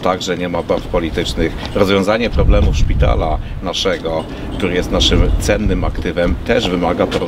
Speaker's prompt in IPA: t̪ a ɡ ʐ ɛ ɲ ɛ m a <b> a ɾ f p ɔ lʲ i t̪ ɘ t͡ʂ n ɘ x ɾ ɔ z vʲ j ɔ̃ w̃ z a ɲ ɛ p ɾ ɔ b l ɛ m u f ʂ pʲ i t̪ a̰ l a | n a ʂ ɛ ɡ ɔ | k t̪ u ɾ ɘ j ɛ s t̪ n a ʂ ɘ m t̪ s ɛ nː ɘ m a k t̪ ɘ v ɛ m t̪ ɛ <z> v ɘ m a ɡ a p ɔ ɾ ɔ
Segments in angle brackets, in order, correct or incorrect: correct, incorrect

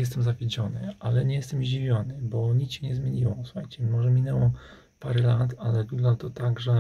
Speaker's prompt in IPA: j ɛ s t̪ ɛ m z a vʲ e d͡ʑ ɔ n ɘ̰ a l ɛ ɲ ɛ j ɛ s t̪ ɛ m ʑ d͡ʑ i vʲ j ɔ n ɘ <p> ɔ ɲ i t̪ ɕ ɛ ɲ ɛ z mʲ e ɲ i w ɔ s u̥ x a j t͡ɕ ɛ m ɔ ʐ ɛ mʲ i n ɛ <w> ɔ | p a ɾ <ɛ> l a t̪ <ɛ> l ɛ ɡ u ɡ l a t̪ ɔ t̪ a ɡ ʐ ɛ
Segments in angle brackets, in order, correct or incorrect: incorrect, correct, correct, incorrect

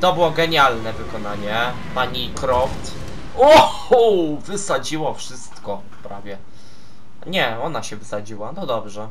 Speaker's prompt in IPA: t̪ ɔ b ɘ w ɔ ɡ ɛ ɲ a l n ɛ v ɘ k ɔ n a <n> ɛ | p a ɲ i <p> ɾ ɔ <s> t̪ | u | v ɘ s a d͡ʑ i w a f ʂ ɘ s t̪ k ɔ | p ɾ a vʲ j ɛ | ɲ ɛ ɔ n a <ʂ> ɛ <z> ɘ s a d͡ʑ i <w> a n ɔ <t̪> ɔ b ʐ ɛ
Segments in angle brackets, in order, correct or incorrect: incorrect, incorrect, incorrect, incorrect, incorrect, correct, incorrect

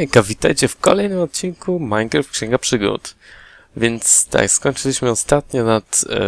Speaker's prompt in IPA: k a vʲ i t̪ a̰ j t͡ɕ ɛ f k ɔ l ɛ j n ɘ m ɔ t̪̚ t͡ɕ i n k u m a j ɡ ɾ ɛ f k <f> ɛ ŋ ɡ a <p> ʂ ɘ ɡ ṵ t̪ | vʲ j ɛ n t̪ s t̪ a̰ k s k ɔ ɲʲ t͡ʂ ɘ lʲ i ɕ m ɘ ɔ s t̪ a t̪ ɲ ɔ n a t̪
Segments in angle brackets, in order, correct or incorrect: incorrect, correct

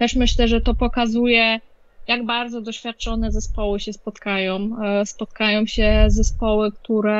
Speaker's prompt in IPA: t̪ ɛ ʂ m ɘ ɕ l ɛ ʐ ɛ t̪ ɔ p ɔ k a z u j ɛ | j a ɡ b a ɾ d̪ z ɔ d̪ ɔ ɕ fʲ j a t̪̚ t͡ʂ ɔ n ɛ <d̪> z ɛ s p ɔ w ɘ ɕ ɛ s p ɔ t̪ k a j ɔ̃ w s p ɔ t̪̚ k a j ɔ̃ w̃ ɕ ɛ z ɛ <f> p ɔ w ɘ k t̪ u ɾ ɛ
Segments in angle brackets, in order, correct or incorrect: incorrect, incorrect

